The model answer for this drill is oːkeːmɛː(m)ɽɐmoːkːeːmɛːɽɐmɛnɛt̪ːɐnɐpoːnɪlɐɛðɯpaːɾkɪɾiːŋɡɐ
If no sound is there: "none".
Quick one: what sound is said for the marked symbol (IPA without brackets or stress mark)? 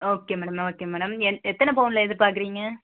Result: none